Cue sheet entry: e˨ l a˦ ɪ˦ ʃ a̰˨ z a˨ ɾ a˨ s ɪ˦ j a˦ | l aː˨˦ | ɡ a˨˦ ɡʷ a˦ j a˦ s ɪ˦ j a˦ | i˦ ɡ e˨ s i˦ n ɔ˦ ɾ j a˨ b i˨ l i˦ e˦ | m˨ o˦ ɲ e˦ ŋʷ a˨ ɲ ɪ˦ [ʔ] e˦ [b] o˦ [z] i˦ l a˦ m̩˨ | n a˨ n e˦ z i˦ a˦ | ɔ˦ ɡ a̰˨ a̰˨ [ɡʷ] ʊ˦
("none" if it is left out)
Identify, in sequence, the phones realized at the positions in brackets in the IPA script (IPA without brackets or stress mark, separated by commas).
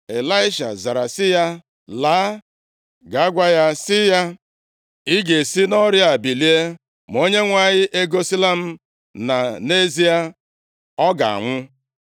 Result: ʔ, ɡ, s, ŋʷ